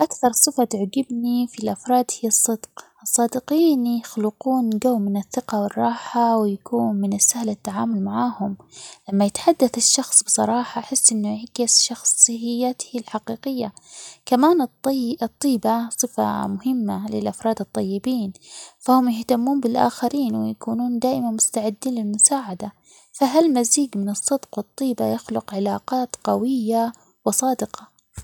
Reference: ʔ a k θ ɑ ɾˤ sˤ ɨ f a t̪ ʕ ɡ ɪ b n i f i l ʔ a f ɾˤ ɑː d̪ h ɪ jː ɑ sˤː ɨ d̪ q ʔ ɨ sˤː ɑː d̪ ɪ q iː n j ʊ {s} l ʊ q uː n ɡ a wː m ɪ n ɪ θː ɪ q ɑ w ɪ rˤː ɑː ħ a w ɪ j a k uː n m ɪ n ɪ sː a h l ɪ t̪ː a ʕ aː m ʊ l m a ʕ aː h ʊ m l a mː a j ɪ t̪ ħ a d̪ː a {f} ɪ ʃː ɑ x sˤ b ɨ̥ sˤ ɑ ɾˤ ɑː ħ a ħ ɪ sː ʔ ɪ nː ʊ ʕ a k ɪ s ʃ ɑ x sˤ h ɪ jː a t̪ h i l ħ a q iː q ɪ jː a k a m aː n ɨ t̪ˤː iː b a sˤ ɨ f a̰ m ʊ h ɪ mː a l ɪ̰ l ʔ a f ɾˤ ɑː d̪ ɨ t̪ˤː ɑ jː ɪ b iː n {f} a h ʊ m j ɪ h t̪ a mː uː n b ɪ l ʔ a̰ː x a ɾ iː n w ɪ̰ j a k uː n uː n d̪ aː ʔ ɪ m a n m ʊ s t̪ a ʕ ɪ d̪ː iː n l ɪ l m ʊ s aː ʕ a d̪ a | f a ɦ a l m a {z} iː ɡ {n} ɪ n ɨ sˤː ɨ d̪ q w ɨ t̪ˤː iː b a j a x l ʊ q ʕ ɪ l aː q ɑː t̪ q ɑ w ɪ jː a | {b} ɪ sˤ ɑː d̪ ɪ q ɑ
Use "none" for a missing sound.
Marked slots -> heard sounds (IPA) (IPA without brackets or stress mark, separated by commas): x, θ, f, z, m, w